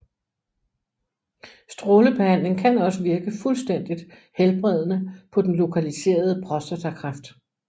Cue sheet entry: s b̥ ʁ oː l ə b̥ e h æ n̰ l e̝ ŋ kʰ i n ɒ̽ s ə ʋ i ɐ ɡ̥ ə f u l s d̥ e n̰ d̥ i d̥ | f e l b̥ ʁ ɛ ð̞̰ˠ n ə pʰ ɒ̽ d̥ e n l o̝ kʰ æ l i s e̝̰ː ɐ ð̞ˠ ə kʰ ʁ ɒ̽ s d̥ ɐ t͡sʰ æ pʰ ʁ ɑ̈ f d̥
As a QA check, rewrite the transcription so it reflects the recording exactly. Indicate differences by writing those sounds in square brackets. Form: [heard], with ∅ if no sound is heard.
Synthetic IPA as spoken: s [d̥] ʁ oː l ə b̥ e h æ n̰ l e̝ ŋ kʰ [æ] n ɒ̽ s ə ʋ i ɐ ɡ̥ ə f u l s d̥ e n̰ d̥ i d̥ | [h] e l b̥ ʁ ɛ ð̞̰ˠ n ə pʰ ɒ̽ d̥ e n l o̝ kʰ æ l i s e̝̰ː ɐ ð̞ˠ ə [pʰ] ʁ ɒ̽ s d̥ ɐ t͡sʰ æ [kʰ] ʁ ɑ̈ f d̥